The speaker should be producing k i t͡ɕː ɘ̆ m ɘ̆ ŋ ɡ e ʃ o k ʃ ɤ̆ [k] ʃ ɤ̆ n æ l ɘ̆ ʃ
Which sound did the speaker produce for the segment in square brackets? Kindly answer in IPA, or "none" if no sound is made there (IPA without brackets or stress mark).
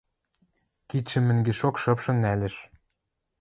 p